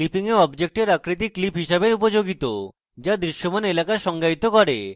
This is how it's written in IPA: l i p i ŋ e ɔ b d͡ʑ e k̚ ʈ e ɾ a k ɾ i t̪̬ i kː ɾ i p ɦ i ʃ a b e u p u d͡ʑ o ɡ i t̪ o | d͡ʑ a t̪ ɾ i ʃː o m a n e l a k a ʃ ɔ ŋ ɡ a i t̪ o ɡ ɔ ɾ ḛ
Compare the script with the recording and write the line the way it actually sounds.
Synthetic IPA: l i p i ŋ e ɔ b d͡ʑ e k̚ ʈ e ɾ a k ɾ i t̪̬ i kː l i p ɦ i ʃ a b e u p o d͡ʑ o ɡ i t̪ o | d͡ʑ a d̪ ɾ i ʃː o m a n e l a k a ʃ ɔ ŋ ɡ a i t̪ o k ɔ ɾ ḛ